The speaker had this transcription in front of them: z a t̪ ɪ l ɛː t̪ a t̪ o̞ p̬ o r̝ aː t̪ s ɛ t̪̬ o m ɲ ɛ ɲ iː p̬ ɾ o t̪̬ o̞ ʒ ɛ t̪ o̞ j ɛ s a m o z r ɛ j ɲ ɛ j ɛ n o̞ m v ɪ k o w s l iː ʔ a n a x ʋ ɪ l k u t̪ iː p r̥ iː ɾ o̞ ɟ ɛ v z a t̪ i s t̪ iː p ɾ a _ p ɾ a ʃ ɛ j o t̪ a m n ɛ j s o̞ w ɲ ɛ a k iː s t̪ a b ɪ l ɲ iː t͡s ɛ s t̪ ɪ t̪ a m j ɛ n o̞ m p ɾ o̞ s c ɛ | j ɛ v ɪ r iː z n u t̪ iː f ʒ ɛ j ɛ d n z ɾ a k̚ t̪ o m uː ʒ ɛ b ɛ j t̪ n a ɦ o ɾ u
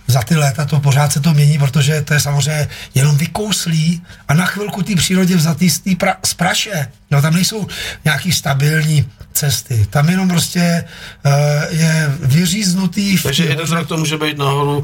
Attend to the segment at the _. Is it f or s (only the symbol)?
s